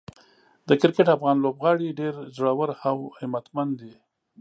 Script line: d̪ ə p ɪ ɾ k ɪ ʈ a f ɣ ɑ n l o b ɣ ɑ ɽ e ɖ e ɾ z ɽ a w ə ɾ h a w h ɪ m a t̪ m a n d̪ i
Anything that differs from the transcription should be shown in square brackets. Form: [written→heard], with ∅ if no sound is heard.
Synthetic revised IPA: d̪ ə [p→k] ɪ ɾ k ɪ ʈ a f ɣ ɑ n l o b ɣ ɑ ɽ [e→i] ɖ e ɾ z ɽ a w ə ɾ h a w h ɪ m a t̪ m a n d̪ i